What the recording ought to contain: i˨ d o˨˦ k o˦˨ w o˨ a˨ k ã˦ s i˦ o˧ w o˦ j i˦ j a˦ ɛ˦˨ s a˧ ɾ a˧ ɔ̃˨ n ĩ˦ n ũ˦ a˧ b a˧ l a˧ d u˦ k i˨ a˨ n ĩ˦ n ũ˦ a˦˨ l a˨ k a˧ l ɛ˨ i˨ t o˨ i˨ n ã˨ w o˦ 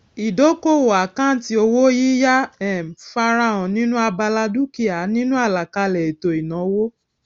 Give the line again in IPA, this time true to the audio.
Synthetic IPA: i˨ d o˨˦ k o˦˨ w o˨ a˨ k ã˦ t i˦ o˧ w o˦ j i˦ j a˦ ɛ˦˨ f a˧ ɾ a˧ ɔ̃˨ n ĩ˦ n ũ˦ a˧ b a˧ l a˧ d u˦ k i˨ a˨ n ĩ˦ n ũ˦ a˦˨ l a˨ k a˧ l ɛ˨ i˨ t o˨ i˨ n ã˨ w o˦